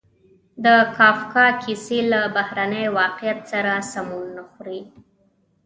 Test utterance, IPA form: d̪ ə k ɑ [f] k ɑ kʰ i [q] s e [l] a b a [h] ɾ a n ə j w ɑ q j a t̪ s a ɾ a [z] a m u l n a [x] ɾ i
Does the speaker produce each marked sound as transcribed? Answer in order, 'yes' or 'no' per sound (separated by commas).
yes, no, yes, yes, no, yes